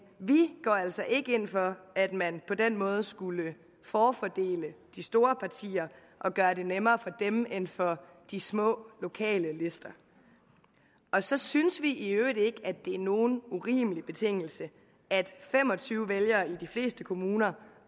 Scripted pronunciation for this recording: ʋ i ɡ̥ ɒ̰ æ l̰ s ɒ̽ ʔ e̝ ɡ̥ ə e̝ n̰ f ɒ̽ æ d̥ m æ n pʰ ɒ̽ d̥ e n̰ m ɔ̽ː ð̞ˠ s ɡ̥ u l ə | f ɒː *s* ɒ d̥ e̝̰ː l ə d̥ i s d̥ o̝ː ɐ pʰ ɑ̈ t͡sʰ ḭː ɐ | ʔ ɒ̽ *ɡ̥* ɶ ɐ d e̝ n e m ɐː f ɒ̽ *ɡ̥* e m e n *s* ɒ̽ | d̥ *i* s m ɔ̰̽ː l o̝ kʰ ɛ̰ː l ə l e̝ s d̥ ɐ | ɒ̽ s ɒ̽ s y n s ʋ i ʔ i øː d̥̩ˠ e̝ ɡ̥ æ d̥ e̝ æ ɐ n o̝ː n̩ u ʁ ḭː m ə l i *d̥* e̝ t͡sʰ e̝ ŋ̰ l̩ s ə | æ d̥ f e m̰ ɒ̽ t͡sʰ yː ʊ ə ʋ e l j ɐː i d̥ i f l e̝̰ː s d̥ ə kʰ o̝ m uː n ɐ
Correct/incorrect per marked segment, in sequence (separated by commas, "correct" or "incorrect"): incorrect, correct, incorrect, incorrect, correct, incorrect